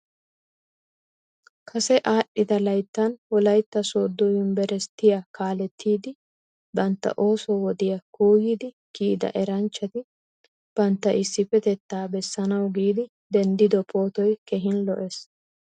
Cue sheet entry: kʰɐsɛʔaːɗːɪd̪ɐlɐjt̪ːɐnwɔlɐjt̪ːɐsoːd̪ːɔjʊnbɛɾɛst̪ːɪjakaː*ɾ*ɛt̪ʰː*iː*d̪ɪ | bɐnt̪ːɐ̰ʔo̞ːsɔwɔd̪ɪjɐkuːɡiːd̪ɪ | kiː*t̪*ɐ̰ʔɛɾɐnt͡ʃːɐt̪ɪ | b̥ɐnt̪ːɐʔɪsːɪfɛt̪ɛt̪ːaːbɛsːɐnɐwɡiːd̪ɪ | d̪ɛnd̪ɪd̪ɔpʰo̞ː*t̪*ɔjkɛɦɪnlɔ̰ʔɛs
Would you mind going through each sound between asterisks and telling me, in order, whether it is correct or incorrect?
incorrect: l, correct, incorrect: d̪, correct

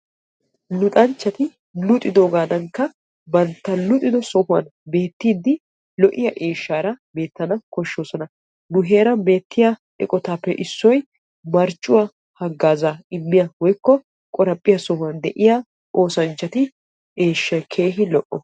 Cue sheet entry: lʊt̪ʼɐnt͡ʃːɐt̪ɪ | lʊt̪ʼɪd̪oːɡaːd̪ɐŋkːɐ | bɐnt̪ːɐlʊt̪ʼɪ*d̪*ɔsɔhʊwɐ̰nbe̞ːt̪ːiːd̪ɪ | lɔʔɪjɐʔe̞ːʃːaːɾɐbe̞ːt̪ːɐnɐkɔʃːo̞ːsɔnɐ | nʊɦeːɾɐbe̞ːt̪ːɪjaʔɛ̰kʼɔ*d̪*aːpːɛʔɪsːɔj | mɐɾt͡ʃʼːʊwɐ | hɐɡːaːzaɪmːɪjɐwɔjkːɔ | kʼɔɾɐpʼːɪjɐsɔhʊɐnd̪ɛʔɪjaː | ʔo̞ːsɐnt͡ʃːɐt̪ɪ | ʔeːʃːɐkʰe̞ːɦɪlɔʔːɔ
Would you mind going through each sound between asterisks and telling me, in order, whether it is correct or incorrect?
correct, incorrect: t̪

